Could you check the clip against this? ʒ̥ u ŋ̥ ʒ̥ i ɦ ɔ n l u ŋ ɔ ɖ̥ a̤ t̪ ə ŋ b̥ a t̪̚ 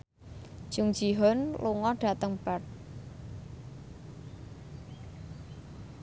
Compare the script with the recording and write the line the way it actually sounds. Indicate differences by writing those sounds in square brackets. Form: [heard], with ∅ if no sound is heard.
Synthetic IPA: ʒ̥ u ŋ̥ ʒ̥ i ɦ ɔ n l u ŋ ɔ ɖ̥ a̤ t̪ ə ŋ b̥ a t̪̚